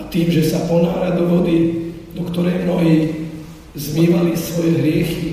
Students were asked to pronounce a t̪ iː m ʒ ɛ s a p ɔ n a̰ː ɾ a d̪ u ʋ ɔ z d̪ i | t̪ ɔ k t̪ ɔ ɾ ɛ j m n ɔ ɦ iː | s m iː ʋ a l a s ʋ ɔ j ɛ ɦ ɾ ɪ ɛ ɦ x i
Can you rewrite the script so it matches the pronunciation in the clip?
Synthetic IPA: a t̪ iː m ʒ ɛ s a p ɔ n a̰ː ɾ a d̪ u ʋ ɔ d̪ i | d̪ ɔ k t̪ ɔ ɾ ɛ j m n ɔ ɦ iː | z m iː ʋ a l i s ʋ ɔ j ɛ ɦ ɾ ɪ ɛ x i